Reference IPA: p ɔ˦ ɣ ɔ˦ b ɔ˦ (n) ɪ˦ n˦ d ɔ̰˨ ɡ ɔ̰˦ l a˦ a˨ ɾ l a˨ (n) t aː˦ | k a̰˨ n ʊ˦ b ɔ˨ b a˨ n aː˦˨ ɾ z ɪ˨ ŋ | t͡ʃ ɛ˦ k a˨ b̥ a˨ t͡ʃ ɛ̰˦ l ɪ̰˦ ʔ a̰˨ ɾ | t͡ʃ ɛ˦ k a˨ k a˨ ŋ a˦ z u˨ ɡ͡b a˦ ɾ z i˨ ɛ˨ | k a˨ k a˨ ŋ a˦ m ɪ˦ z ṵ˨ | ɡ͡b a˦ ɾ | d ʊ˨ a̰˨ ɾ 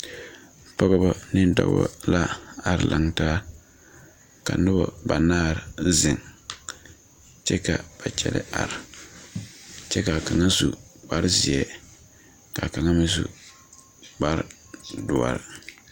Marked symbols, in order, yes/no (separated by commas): yes, no